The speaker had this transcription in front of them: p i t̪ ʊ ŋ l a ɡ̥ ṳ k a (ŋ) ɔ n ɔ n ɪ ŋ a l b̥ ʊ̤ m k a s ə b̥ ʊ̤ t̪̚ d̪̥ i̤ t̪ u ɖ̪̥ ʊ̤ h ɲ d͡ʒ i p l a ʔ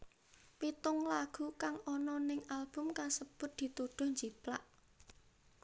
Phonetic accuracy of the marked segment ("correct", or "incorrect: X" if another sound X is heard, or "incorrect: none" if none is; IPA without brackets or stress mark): correct